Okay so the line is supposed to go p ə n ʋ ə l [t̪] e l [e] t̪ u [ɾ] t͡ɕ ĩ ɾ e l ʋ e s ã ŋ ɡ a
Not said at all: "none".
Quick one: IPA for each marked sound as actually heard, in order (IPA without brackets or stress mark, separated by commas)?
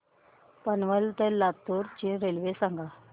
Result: t̪, a, ɾ